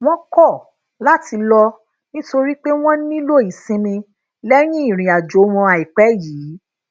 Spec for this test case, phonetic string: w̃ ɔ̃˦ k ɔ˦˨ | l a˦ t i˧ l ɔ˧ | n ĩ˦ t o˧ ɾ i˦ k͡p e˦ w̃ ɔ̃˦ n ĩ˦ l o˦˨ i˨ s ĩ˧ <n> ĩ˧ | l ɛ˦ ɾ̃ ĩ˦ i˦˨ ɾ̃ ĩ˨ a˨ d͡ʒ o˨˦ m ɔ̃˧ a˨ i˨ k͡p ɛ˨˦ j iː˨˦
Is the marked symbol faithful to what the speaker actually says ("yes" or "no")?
no